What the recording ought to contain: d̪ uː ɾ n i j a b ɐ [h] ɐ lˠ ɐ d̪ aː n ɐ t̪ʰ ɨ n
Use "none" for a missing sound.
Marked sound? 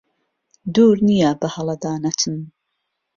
h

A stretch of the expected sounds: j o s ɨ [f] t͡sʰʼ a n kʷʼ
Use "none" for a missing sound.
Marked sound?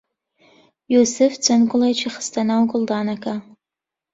f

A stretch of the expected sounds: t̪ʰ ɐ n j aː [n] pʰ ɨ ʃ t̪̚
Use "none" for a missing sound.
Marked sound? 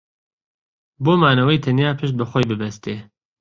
none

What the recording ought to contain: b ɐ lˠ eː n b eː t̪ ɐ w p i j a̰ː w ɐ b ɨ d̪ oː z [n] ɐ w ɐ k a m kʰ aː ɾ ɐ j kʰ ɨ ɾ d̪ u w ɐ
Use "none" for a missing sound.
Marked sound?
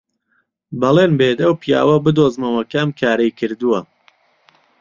m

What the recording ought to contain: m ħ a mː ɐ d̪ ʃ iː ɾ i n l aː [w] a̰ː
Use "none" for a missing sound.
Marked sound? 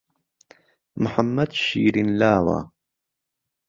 w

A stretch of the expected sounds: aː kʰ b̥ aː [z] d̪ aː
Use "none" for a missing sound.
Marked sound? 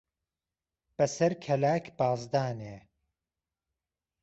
z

